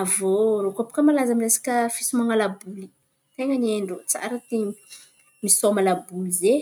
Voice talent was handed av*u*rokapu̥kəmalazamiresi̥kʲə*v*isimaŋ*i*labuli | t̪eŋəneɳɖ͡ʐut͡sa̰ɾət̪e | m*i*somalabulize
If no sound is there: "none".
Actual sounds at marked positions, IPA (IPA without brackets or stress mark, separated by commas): o, f, a, i